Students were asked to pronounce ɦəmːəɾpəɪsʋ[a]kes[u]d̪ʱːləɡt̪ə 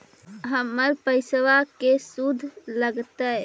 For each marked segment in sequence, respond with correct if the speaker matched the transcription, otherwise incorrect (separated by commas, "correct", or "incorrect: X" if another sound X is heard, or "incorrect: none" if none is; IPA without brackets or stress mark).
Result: correct, correct